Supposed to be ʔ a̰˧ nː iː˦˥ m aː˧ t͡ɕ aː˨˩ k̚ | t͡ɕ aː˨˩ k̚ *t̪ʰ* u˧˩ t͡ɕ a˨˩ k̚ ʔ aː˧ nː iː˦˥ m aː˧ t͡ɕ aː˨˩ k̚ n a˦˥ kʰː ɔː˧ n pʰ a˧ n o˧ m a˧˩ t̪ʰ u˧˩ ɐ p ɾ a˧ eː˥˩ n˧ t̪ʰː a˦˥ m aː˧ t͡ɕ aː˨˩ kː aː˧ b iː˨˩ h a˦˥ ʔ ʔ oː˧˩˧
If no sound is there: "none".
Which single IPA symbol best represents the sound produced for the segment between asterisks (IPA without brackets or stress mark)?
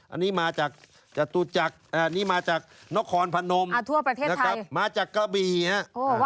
t̪